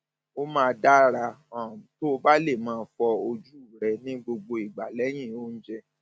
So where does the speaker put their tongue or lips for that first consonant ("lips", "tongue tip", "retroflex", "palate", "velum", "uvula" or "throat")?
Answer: lips